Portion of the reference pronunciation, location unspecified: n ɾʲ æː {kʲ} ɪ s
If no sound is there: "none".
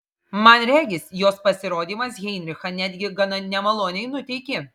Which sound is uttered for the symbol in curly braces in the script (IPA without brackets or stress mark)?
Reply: ɡʲ